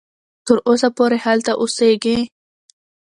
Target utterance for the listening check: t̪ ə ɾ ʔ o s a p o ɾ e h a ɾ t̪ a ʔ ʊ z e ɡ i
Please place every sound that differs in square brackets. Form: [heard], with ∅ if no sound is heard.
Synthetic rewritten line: t̪ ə ɾ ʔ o s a p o ɾ e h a [l] t̪ a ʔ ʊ [s] e ɡ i